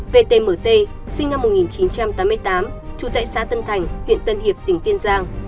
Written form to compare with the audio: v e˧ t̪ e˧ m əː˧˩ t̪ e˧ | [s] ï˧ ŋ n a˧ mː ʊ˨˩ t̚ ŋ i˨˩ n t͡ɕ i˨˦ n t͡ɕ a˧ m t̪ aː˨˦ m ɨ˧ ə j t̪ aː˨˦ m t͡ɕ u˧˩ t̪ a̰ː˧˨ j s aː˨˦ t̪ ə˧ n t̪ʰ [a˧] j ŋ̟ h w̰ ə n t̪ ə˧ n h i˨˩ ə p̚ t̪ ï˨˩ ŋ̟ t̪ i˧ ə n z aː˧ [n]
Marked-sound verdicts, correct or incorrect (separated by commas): correct, incorrect, incorrect